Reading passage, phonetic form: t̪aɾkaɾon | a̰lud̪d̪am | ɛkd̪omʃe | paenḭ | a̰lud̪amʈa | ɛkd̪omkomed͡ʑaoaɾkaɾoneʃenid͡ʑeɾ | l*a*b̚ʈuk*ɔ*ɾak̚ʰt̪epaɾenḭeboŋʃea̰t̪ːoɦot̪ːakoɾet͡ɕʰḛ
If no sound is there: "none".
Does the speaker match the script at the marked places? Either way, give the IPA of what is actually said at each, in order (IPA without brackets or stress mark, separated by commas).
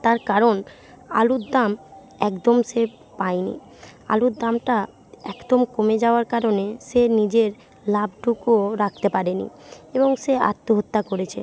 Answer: a, o